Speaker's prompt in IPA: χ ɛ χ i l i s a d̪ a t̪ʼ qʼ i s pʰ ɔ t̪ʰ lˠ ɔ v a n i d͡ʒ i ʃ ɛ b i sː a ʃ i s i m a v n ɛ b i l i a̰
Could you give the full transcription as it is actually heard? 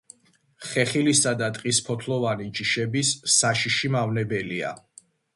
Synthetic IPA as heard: χ ɛ χ i l i s a d̪ a t̪ʼ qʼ i s pʰ ɔ t̪ʰ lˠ ɔ v a n i d͡ʒ i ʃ ɛ b i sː a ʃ i ʃ i m a v n ɛ b ɛ l i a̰